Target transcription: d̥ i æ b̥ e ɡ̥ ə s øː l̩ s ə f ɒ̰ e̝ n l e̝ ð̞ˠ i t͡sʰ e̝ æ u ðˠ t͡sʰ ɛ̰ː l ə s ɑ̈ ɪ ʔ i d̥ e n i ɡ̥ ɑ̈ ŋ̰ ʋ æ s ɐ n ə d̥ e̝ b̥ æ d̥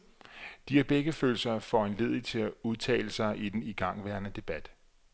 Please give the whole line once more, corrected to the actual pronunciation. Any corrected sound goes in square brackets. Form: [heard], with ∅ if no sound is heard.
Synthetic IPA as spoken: d̥ i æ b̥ e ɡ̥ ə [f] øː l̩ s [ɐ] f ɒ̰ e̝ n l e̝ ð̞ˠ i t͡sʰ e̝ æ u ðˠ t͡sʰ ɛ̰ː l ə s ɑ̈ ɪ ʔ i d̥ e n i ɡ̥ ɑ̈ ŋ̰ ʋ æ [∅] ɐ n ə d̥ e̝ b̥ æ d̥